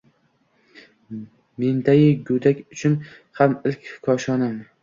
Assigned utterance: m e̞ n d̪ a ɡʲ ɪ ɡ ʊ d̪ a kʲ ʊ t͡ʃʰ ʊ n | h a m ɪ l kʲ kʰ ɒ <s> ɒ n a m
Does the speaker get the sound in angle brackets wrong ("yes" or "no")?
yes